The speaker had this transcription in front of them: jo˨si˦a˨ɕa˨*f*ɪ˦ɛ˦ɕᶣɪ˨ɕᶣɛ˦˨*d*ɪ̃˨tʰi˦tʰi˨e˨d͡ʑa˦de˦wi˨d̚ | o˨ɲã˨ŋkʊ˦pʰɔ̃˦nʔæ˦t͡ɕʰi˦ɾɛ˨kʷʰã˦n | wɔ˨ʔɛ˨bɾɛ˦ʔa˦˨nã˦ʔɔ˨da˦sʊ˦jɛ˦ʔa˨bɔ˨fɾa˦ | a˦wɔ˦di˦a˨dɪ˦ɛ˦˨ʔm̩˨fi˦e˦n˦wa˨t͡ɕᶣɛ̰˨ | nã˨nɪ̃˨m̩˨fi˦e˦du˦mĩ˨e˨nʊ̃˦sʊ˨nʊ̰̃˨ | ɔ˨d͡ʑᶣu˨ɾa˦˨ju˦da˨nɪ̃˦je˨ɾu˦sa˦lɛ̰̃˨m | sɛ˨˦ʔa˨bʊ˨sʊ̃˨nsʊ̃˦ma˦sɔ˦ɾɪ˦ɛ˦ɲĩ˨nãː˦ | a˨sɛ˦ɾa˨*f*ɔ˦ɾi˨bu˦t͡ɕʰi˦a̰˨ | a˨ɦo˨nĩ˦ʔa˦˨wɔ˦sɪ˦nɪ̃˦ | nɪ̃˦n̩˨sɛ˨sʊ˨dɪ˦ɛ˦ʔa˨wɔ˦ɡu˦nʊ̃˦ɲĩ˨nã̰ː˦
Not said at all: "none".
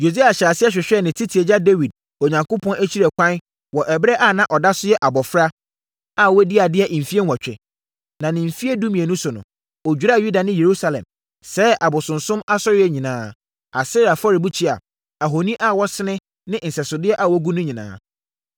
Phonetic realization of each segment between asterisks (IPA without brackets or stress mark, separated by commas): s, n, f